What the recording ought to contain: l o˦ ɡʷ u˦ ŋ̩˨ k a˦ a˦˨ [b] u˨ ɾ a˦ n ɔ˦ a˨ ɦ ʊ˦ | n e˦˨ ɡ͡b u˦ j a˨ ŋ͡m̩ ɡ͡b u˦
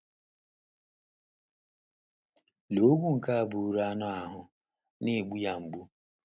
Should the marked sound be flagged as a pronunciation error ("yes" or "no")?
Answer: no